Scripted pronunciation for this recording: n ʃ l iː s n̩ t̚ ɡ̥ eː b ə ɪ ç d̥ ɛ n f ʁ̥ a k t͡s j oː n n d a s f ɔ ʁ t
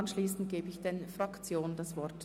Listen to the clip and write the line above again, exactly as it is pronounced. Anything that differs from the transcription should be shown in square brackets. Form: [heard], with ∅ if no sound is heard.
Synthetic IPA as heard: n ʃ l iː s n̩ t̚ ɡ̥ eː b ə ɪ ç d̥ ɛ n f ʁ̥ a k t͡s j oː n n d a s [v] ɔ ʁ t

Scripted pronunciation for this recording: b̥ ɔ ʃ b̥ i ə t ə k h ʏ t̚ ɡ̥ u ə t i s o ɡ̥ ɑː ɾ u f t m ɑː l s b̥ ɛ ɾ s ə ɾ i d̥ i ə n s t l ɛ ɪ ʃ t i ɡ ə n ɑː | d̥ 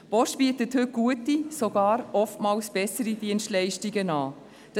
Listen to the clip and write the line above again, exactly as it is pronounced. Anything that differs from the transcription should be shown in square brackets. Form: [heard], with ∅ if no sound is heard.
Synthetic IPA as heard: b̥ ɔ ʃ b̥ i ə t ə [t] h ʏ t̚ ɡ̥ u ə t i s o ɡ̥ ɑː ɾ [ɔ] f t m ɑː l s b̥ ɛ [∅] s ə ɾ i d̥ i ə n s t l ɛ ɪ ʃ t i ɡ ə n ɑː | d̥

